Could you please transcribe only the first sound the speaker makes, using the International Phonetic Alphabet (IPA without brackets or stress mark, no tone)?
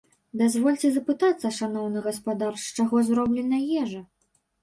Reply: d̪